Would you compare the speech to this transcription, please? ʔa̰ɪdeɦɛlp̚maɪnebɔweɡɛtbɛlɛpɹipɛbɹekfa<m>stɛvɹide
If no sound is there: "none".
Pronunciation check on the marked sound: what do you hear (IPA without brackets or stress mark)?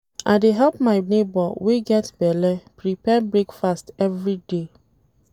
none